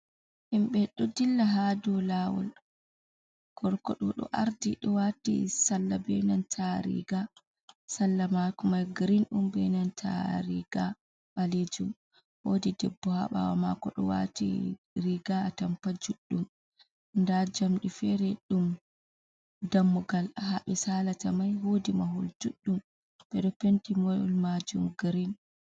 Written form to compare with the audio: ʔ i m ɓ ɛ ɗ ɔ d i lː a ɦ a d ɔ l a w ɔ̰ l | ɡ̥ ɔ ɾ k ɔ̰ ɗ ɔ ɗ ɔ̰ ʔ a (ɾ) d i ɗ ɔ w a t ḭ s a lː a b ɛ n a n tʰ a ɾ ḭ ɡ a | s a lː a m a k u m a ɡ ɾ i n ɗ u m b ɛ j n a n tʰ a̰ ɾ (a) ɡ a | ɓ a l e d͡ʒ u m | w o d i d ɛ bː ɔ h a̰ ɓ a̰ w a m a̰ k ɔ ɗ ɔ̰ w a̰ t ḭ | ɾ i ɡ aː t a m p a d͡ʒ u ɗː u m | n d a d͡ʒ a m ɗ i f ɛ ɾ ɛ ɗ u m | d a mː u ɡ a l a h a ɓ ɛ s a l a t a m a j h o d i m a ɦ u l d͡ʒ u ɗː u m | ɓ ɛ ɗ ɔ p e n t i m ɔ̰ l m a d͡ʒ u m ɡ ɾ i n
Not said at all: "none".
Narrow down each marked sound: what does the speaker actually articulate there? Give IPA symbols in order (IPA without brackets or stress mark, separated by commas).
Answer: ɾ, i